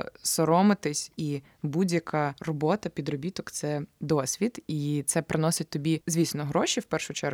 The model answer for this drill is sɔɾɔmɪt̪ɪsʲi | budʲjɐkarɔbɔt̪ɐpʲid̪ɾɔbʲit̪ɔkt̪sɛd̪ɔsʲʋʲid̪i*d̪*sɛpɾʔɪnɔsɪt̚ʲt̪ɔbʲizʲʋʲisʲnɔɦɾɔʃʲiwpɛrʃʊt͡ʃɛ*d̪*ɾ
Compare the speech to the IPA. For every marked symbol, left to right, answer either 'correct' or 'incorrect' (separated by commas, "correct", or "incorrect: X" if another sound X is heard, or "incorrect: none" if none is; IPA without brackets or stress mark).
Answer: incorrect: t̪, incorrect: none